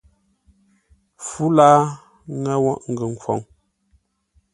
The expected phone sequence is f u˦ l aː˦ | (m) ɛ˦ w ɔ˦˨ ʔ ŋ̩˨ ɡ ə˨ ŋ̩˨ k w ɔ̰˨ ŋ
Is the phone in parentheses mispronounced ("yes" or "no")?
yes